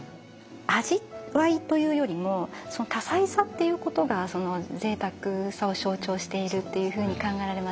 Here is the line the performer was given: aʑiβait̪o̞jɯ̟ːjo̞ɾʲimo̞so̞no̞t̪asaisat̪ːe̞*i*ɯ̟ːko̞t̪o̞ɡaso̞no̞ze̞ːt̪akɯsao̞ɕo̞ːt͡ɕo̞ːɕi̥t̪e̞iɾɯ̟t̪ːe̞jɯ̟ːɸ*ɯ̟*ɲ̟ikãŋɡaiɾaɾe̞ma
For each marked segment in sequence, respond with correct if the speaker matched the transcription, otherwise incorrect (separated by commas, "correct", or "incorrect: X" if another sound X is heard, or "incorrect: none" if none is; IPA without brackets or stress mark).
incorrect: j, incorrect: ɯ̟ː